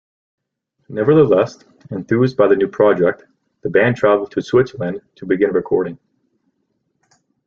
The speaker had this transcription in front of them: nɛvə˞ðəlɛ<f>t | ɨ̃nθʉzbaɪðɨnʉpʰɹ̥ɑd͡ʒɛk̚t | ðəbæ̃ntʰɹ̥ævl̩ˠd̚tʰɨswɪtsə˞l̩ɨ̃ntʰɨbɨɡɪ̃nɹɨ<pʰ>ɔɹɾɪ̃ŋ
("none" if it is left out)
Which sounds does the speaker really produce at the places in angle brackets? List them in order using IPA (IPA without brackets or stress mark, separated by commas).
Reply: s, kʰ